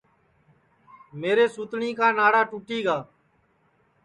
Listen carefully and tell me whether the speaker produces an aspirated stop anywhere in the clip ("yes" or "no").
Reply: no